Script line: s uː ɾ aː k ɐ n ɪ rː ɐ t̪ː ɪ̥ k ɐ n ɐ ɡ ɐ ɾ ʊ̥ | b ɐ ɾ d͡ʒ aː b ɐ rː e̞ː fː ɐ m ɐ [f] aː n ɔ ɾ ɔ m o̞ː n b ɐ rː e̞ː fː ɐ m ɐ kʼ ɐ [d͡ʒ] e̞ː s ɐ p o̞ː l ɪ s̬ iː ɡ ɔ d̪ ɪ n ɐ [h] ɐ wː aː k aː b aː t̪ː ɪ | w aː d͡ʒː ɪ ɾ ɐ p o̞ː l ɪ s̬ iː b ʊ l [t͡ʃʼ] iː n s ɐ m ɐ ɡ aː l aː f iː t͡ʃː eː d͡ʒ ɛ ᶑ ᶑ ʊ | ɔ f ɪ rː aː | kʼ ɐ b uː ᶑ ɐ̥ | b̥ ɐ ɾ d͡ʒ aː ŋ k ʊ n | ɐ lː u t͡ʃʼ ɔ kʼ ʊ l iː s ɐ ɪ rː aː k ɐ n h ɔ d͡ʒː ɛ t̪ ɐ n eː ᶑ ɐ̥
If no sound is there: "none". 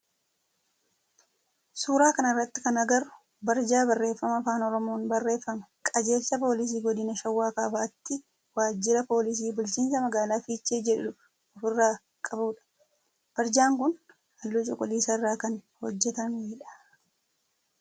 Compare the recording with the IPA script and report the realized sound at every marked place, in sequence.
f, d͡ʒ, ʃ, t͡ʃ

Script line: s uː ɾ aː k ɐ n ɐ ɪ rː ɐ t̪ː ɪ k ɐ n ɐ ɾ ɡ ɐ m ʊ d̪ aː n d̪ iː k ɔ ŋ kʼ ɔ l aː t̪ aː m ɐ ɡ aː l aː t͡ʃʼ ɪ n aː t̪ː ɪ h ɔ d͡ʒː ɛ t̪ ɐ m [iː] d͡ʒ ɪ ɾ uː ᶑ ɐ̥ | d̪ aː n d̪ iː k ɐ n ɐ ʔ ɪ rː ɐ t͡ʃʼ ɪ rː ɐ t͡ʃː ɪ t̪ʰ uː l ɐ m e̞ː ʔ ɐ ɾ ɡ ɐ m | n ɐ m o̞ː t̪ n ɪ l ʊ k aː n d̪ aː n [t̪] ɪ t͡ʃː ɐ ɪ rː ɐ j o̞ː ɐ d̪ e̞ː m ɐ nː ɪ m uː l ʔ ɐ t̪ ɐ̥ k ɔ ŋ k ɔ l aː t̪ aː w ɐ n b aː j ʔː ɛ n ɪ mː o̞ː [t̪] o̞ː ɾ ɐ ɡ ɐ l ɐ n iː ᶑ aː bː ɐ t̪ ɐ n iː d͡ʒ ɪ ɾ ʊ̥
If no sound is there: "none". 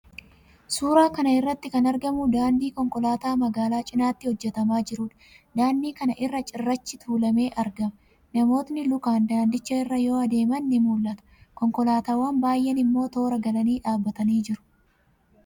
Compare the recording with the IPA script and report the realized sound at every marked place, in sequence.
aː, d̪, t̪

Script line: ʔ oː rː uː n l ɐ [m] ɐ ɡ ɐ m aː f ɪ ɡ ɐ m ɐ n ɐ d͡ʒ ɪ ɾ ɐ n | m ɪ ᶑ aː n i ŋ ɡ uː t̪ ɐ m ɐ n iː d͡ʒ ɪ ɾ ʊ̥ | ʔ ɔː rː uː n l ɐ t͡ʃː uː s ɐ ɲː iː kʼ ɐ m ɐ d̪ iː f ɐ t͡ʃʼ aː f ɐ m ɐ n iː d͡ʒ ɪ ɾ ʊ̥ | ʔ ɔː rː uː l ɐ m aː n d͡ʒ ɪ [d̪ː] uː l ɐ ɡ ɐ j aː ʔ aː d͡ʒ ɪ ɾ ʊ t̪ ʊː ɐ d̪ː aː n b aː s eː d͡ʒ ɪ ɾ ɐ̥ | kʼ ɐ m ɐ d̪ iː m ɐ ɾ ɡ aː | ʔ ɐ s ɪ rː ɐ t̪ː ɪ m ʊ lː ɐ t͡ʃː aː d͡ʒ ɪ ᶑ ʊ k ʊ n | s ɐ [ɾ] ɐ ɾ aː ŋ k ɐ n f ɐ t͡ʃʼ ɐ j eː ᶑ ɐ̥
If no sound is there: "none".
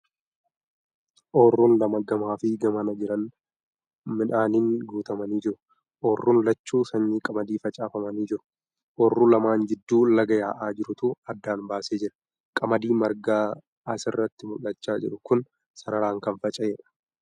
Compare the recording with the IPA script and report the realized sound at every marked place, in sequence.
m, d̪ː, ɾ

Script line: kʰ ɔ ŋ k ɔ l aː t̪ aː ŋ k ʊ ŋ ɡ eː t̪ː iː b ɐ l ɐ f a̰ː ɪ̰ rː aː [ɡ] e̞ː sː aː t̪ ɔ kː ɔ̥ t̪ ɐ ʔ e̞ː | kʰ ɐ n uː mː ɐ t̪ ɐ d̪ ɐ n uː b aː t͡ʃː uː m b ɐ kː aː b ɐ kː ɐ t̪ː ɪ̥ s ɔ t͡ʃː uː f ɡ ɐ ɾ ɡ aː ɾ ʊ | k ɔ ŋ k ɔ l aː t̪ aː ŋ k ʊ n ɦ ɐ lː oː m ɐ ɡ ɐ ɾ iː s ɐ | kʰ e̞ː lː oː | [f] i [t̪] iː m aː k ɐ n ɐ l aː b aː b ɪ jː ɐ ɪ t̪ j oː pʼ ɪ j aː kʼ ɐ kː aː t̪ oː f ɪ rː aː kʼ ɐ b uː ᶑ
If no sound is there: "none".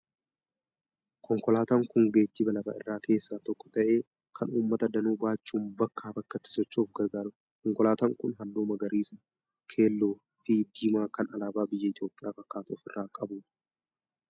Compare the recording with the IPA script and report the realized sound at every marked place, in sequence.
k, f, d̪

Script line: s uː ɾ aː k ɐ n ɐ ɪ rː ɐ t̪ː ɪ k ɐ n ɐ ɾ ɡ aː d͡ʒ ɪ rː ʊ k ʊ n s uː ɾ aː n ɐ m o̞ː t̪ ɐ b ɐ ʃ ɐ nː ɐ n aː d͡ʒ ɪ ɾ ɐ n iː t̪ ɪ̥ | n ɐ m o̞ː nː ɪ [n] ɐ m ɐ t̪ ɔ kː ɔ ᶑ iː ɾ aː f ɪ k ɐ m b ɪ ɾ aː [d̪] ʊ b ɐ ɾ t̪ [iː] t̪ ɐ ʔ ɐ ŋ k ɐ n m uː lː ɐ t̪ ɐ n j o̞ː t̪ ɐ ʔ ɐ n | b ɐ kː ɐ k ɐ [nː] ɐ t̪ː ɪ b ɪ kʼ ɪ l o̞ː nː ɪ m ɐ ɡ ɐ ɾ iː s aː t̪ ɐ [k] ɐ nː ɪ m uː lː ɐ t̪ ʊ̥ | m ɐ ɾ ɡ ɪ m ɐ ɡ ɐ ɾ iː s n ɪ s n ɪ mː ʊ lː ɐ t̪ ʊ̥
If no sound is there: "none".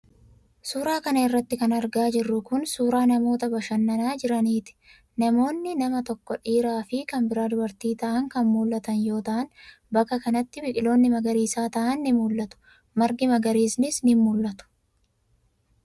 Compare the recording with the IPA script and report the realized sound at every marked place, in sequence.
n, d̪, iː, n, ʔ

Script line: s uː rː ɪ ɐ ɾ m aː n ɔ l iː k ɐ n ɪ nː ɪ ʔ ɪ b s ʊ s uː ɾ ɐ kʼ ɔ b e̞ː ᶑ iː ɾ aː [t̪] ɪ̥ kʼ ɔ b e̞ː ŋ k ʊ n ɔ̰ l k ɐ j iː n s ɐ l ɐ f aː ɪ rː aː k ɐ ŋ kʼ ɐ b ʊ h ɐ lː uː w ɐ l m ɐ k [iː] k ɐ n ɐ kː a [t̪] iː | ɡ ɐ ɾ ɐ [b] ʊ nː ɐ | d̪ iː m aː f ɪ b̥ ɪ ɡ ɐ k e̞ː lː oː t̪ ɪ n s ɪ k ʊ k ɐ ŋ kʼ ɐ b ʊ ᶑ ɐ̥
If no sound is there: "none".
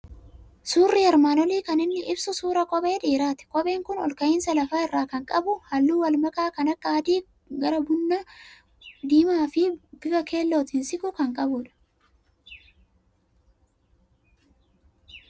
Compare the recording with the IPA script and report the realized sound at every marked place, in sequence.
t̪, aː, d̪, b

